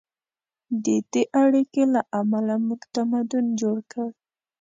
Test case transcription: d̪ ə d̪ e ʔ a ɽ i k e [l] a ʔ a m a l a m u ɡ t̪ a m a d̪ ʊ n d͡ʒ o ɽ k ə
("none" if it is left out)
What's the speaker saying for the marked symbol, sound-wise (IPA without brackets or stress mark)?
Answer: l